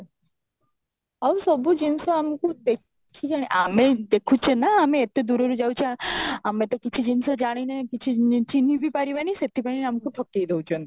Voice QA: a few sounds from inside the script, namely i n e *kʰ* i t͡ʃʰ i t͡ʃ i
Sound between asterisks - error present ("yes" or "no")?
yes